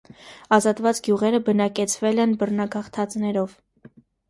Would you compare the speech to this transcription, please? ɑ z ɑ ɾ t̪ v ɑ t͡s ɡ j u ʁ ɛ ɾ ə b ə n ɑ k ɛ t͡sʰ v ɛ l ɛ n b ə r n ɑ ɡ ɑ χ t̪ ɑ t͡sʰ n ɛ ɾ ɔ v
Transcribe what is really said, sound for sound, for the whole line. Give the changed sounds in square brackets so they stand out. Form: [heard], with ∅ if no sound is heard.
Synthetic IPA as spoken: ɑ z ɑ [∅] t̪ v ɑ t͡s ɡ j u ʁ ɛ ɾ ə b ə n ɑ k ɛ t͡sʰ v ɛ l ɛ n b ə r n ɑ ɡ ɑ χ [t̪ʰ] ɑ [t͡s] n ɛ ɾ ɔ v